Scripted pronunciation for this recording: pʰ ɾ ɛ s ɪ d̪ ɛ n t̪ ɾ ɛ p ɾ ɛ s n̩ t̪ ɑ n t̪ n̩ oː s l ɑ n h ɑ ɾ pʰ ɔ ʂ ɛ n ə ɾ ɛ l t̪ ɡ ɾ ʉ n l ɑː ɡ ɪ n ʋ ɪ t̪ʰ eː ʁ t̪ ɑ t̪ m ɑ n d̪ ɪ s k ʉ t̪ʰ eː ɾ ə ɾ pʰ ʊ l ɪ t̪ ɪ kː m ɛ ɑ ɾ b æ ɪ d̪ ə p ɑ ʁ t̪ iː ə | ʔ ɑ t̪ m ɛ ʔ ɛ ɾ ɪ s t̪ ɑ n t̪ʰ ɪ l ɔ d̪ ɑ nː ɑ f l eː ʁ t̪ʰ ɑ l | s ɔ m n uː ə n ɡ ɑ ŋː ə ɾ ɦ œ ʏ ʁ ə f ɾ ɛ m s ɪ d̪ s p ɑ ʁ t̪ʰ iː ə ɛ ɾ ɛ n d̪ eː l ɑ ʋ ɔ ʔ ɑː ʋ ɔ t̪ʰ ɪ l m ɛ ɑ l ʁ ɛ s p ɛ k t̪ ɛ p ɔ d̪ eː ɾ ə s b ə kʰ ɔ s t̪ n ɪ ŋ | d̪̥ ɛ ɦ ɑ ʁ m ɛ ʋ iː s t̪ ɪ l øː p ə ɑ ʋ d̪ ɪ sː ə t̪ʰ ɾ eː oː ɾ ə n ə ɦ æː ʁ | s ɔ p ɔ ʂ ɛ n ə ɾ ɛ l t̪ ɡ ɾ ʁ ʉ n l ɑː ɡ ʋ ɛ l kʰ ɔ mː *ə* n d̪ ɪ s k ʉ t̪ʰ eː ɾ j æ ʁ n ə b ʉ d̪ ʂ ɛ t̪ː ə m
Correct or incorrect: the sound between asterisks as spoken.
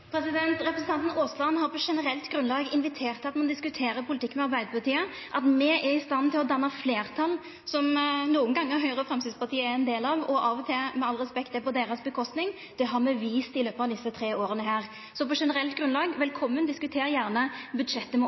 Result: correct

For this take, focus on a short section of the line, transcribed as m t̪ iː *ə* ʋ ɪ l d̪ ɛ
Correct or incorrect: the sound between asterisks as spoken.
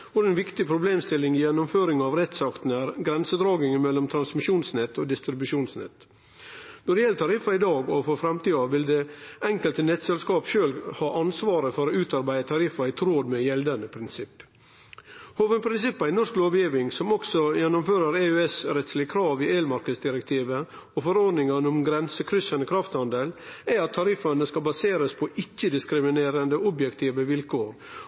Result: incorrect: ɑ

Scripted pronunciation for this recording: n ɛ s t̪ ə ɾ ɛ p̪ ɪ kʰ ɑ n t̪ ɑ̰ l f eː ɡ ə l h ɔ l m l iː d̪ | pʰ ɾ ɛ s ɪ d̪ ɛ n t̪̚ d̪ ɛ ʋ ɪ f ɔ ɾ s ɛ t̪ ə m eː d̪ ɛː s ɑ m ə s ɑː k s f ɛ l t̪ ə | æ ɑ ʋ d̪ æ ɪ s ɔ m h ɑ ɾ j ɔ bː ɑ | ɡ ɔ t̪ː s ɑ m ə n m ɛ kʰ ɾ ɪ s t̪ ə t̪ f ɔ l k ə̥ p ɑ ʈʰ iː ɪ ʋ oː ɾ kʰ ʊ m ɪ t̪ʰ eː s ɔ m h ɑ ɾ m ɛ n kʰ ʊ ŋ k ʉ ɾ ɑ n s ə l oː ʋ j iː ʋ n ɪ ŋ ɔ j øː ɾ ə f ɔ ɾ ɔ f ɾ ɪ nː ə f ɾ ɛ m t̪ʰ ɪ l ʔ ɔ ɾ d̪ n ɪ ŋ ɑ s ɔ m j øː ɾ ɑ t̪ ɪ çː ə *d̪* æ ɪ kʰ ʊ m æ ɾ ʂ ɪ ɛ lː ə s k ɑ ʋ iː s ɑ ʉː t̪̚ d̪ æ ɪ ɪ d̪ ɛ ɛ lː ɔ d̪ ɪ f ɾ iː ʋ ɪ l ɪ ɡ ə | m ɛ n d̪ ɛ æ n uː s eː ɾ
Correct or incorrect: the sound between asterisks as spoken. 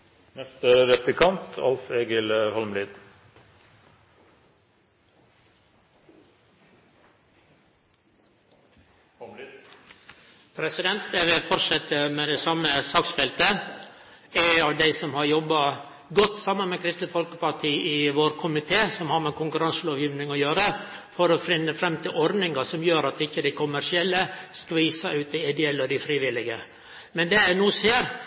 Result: correct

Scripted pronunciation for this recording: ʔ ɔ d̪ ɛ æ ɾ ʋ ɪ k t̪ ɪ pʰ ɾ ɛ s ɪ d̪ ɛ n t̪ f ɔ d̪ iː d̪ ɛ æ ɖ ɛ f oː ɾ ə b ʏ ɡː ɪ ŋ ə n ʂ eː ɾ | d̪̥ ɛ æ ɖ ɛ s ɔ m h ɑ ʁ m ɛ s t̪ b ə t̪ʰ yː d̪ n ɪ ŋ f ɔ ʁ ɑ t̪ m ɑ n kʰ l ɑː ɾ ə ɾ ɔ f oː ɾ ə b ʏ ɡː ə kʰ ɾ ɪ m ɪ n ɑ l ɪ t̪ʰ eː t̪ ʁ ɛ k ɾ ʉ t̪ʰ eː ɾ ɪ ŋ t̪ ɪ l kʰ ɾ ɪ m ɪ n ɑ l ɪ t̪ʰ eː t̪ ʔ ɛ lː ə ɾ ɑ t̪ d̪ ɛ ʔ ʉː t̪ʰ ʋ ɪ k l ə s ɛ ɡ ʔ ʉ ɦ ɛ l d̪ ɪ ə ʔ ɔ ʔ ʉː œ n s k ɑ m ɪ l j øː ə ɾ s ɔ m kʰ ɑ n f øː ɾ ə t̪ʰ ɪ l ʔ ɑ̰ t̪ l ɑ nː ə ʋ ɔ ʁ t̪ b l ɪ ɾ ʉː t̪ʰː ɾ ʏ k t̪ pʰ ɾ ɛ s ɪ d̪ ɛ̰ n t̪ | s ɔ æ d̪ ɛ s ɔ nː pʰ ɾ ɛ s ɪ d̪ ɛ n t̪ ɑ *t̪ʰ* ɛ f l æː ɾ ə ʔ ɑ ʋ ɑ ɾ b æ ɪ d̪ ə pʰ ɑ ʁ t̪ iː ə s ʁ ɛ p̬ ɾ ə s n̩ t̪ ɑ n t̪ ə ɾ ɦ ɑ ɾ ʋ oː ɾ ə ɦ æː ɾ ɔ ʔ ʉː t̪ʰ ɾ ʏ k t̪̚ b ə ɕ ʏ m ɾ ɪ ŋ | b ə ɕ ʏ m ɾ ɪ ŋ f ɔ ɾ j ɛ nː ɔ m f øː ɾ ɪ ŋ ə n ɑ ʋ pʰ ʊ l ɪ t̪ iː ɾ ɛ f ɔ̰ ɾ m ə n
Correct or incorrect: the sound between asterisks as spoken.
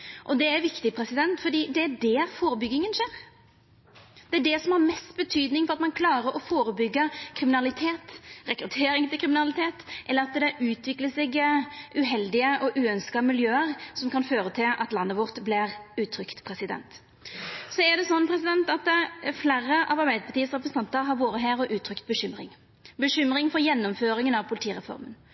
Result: incorrect: t̪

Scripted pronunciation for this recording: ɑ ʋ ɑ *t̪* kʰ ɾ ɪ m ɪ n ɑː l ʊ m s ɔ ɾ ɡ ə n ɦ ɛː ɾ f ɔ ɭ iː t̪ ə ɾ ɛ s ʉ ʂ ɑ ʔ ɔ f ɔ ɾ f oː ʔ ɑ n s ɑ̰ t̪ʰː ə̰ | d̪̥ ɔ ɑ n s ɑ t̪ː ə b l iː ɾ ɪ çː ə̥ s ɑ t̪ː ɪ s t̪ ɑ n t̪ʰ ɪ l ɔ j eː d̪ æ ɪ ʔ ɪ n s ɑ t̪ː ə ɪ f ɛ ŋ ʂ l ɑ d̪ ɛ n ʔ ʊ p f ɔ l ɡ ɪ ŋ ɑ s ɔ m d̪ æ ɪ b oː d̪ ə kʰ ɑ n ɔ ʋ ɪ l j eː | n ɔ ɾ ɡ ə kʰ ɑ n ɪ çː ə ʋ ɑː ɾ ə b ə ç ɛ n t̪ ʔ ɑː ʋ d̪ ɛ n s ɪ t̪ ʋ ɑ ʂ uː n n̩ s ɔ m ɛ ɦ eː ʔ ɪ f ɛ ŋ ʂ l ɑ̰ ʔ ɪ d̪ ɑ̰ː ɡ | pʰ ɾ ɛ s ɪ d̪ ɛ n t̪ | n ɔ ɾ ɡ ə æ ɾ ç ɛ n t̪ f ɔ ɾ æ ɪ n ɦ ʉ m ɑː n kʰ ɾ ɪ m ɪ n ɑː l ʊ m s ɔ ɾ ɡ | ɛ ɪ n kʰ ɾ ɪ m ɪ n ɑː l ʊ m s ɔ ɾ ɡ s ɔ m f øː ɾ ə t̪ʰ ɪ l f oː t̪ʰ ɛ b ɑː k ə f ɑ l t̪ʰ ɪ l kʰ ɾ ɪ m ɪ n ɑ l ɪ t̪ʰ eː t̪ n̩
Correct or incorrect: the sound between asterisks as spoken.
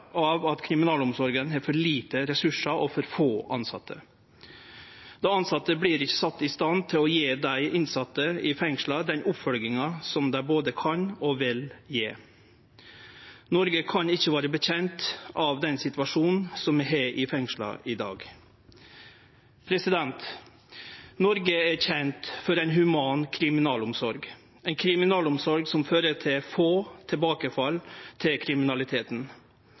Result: correct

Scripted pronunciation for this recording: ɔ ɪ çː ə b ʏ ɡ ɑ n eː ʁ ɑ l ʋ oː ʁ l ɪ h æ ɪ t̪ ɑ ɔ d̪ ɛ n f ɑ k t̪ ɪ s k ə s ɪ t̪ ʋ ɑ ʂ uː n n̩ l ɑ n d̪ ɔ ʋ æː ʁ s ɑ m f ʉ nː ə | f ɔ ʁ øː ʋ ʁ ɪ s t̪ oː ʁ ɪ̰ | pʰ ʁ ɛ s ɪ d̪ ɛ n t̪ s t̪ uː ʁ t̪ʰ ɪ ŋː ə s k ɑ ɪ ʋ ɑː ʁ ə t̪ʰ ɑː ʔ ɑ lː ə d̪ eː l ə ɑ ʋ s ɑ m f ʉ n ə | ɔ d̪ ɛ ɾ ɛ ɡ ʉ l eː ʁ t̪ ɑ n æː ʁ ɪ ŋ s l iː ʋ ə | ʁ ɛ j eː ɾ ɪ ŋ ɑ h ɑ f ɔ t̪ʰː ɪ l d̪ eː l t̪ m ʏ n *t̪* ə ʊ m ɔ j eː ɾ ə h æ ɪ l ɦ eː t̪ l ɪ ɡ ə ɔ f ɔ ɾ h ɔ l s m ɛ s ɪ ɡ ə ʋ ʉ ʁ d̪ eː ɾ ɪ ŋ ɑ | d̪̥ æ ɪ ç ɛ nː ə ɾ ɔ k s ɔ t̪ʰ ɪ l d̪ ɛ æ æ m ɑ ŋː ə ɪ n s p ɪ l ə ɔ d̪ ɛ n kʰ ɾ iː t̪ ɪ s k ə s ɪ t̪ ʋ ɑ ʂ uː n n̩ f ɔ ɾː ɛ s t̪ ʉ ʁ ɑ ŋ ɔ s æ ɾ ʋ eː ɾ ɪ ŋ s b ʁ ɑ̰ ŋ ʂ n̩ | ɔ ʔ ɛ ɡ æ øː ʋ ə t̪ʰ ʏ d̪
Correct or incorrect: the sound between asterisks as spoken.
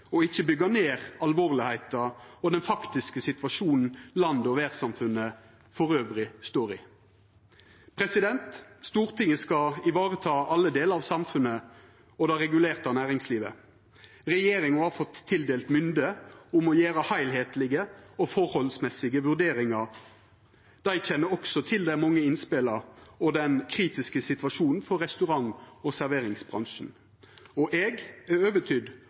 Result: incorrect: d̪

